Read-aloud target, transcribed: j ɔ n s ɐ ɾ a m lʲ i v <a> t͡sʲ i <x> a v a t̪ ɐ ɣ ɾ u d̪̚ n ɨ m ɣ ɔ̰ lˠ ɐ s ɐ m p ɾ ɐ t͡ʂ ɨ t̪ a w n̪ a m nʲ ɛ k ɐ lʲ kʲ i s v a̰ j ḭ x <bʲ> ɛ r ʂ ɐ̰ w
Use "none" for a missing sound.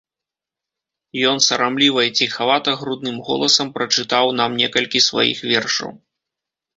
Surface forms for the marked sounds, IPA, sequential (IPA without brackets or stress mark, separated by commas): ɐ, x, vʲ